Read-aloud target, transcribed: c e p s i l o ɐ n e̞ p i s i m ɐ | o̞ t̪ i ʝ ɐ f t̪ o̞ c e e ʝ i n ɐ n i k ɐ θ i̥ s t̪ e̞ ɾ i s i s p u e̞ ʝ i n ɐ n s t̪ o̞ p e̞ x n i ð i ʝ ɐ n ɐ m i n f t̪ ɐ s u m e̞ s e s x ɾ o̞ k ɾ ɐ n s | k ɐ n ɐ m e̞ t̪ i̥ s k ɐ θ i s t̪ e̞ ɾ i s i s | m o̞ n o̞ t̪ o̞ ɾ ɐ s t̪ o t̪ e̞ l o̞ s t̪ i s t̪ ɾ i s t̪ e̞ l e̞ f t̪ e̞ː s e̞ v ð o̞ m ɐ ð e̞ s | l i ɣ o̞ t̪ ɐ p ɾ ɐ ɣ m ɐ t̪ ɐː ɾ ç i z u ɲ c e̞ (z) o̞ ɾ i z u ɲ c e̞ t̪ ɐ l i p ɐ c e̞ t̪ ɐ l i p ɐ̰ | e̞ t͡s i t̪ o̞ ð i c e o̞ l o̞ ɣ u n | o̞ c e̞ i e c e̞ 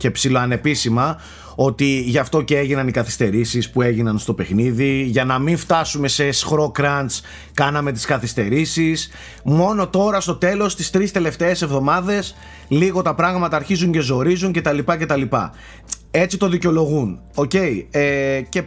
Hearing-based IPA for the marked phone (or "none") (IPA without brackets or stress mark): z